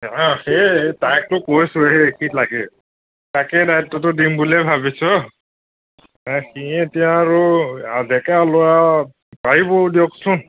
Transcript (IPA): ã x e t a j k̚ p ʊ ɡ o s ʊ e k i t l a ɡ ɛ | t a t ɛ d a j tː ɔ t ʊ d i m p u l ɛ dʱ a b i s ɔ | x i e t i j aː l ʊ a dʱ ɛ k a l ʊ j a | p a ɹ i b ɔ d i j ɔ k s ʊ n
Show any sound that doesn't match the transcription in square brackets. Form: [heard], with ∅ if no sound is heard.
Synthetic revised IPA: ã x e t a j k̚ [t] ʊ [k] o s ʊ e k i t l a ɡ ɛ | t a [k] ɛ d a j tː ɔ t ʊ d i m [b] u l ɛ [bʱ] a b i s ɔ | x i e t i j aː [ɹ] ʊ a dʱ ɛ k a l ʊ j a | p a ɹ i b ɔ d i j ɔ k s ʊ n